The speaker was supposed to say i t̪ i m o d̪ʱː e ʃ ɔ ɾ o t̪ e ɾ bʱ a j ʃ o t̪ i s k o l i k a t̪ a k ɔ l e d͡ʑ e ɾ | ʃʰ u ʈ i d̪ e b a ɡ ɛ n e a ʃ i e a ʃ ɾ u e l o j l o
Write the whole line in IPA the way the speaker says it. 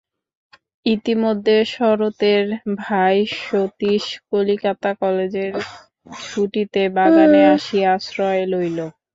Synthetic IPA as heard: i t̪ i m o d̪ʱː e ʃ ɔ ɾ o t̪ e ɾ bʱ a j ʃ o t̪ i ʃ k o l i k a t̪ a k ɔ l e d͡ʑ e ɾ | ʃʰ u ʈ i t̪ e b a ɡ a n e a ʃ i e a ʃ ɾ ɔ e l o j l o